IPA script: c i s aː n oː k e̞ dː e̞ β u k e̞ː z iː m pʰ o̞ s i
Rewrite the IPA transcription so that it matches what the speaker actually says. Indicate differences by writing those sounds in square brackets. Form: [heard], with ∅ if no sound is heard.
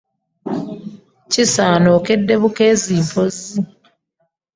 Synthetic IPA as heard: c i s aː n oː k e̞ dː e̞ β u k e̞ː z iː m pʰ o̞ [z] i